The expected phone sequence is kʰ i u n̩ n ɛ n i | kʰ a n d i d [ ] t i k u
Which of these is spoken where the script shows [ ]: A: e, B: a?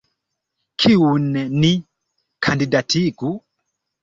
B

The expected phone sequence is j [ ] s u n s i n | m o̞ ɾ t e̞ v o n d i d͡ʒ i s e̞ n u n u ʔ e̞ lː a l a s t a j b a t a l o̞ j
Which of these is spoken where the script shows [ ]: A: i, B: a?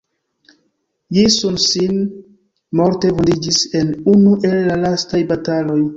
A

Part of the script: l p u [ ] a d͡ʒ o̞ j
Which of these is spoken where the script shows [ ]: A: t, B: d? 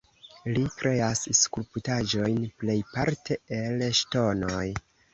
A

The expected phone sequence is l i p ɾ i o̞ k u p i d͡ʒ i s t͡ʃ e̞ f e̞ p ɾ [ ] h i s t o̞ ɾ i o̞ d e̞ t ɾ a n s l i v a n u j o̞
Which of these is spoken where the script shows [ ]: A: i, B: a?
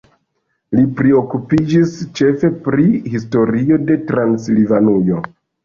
A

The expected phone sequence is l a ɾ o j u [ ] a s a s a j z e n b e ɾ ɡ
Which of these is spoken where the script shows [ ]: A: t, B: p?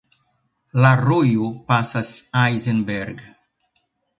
B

